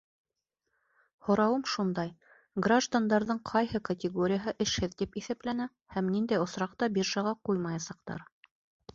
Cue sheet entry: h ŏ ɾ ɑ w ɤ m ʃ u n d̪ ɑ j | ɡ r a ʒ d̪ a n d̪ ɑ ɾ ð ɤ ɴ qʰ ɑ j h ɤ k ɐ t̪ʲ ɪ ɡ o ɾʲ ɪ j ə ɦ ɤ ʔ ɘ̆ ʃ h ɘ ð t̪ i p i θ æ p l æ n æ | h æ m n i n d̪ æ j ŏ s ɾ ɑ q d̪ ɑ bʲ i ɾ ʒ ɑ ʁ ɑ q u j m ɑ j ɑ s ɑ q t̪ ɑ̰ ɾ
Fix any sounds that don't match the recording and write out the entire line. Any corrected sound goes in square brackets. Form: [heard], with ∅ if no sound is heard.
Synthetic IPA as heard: h ŏ ɾ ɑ w ɤ m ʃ u n d̪ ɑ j | ɡ r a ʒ d̪ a n d̪ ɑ ɾ ð ɤ ɴ qʰ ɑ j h ɤ k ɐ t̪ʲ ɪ ɡ o ɾʲ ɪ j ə ɦ ɤ ʔ ɘ̆ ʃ h ɘ ð t̪ i p i θ æ p l æ n æ | h æ m n i n d̪ æ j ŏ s ɾ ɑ q [t̪] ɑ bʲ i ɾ ʒ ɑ ʁ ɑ q u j m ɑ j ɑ s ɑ q t̪ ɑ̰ ɾ